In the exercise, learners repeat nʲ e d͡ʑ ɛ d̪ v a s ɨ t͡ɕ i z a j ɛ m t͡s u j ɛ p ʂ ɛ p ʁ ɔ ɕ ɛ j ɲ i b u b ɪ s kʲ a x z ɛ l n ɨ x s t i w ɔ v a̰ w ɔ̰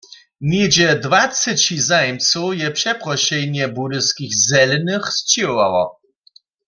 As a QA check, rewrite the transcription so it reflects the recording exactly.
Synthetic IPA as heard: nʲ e d͡ʑ ɛ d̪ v a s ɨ t͡ɕ i z a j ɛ m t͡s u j ɛ p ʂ ɛ p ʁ ɔ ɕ ɛ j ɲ ɛ b u d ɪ s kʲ i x z ɛ l n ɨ x s t͡ɕ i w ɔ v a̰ w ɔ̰

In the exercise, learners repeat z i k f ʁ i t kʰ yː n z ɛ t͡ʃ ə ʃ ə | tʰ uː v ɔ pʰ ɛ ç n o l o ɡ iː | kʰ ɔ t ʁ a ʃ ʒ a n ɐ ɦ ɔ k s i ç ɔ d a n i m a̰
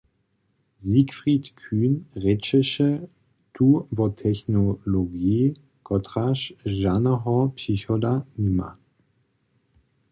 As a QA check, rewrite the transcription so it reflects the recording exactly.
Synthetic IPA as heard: z i k f ʁ i t kʰ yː n ʁ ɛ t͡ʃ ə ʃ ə | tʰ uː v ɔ tʰ ɛ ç n o l o ɡ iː | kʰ ɔ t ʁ a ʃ ʒ a n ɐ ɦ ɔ p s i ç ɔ d a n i m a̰

